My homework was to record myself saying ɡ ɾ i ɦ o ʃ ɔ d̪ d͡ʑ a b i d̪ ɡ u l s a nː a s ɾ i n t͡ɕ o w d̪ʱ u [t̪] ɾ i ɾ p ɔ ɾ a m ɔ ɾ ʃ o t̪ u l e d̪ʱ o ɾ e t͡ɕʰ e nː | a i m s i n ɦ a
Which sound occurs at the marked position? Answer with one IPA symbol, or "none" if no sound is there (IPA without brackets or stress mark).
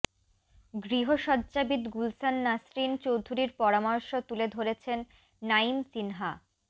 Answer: none